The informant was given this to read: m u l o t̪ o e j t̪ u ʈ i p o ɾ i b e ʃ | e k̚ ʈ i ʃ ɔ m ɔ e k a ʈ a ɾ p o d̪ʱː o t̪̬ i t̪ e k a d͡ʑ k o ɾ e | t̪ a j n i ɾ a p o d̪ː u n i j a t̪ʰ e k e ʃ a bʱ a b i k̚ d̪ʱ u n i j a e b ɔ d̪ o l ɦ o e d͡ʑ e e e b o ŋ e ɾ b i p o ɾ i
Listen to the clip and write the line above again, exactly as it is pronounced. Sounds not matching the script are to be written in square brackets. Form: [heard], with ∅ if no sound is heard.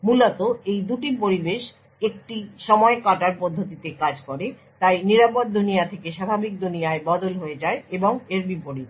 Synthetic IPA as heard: m u l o t̪ o e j [d̪] u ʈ i p o ɾ i b e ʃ | e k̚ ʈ i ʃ ɔ m ɔ e k a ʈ a ɾ p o d̪ʱː o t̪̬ i t̪ e k a d͡ʑ k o ɾ e | t̪ a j n i ɾ a p o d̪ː u n i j a t̪ʰ e k e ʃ a bʱ a b i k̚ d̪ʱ u n i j a e b ɔ d̪ o l ɦ o e d͡ʑ [a] e e b o ŋ e ɾ b i p o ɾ i